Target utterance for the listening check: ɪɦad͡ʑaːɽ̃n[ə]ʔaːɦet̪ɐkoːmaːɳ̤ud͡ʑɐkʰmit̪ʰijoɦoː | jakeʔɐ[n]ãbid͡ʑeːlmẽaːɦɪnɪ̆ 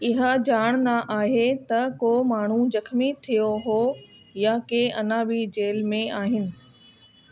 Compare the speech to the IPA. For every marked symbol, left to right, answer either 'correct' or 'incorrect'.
incorrect, correct

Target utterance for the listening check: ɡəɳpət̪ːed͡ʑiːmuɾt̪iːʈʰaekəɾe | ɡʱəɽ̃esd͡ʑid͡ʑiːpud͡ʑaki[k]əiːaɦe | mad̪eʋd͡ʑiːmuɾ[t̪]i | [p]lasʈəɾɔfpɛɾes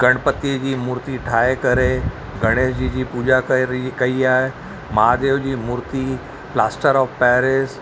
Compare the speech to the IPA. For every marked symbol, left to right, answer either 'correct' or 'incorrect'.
correct, correct, correct

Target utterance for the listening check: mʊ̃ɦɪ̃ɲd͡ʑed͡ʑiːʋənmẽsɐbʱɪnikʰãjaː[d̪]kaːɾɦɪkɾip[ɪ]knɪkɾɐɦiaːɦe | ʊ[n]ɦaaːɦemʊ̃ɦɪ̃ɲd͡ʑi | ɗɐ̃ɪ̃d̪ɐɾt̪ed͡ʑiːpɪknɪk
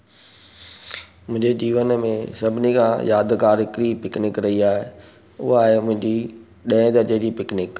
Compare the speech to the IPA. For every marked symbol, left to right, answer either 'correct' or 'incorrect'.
correct, correct, incorrect

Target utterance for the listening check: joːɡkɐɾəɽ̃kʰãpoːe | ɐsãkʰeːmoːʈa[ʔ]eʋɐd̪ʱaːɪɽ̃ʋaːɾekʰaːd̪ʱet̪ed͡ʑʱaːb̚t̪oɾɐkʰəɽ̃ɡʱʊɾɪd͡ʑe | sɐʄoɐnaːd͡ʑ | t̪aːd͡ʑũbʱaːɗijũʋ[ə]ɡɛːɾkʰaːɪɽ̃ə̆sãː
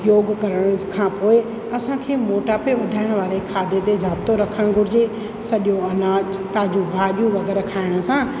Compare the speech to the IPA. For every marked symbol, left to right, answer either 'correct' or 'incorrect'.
incorrect, incorrect

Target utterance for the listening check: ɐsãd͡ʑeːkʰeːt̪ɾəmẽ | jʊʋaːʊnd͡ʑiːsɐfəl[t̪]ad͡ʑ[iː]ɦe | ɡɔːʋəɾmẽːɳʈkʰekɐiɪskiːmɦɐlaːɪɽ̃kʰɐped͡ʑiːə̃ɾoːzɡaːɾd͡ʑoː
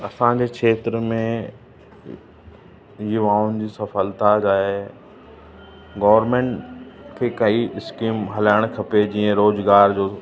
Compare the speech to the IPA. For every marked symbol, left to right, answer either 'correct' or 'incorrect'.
correct, incorrect

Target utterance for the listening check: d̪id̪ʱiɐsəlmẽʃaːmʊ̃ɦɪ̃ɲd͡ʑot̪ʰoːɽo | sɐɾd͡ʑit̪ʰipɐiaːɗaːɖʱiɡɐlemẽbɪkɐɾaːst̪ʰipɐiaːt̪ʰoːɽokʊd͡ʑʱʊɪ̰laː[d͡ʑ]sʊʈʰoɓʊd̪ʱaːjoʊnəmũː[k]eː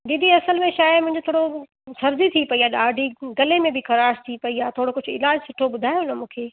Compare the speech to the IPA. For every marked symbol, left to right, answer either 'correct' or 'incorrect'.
correct, incorrect

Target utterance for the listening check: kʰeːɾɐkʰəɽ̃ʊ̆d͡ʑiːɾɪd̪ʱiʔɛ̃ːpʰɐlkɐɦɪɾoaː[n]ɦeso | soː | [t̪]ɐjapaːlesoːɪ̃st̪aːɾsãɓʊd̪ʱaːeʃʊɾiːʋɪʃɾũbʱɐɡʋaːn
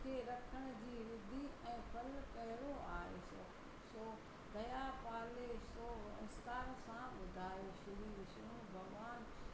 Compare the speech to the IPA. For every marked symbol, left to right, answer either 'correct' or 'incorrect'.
incorrect, incorrect

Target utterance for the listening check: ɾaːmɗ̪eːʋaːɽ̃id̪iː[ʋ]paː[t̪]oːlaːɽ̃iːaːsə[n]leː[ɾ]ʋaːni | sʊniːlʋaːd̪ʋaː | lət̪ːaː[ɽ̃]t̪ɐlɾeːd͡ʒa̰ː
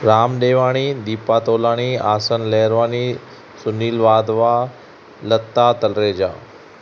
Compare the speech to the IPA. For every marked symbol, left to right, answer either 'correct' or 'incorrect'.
incorrect, correct, correct, correct, incorrect

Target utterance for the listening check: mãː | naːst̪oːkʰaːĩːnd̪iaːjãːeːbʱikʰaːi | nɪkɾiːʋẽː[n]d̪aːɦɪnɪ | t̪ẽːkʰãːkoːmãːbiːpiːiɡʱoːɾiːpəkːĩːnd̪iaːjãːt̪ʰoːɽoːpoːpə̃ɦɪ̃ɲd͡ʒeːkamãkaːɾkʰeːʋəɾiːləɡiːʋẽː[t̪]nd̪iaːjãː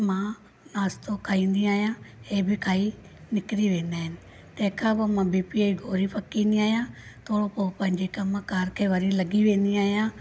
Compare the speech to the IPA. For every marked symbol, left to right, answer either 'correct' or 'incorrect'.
correct, incorrect

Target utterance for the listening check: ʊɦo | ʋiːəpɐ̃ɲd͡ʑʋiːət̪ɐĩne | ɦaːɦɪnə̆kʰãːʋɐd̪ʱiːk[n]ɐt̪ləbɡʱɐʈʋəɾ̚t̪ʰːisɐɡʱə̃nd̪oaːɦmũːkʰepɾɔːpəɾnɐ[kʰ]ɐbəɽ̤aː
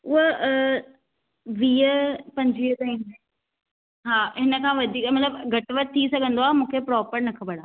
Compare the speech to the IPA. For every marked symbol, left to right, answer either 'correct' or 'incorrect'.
incorrect, correct

